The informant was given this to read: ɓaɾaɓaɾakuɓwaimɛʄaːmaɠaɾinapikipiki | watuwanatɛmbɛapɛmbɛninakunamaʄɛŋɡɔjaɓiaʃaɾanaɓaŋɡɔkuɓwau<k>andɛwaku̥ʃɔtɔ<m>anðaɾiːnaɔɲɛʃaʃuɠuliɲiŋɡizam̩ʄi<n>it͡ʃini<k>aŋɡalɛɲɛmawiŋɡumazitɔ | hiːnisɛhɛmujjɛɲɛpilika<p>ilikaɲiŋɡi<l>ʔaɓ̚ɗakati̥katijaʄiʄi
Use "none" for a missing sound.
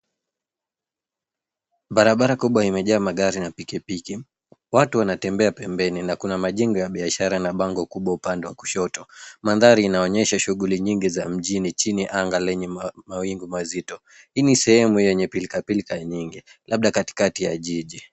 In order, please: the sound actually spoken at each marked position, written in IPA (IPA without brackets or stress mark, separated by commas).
p, m, n, ʔ, p, l